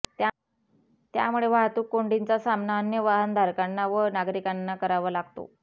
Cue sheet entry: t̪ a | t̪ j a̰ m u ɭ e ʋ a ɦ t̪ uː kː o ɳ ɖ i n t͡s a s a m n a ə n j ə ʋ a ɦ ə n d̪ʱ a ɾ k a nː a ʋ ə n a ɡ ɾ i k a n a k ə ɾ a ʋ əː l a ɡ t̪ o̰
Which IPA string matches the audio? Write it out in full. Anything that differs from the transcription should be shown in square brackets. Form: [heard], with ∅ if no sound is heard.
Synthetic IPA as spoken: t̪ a | t̪ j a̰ m u ɭ e ʋ a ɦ t̪ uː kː o ɳ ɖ i n t͡s a s a m n a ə n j ə ʋ a ɦ ə n d̪ʱ a ɾ k a nː a ʋ ə n a ɡ ɾ i k a [nː] a k ə ɾ a ʋ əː l a ɡ t̪ o̰